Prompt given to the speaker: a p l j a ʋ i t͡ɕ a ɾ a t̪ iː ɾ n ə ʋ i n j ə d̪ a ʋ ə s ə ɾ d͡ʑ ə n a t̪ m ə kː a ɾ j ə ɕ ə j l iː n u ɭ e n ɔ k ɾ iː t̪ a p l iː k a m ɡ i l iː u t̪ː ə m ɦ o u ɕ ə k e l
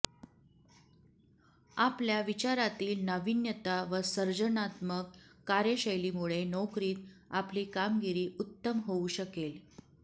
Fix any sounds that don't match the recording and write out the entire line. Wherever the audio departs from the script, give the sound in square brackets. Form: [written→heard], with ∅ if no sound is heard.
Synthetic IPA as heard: a p l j a ʋ i t͡ɕ a ɾ a t̪ iː [ɾ→l] n ə ʋ i n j ə [d̪→t̪] a ʋ ə s ə ɾ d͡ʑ ə n a t̪ m ə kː a ɾ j ə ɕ ə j l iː [n→m] u ɭ e n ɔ k ɾ iː t̪ a p l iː k a m ɡ i [l→ɾ] iː u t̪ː ə m ɦ o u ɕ ə k e l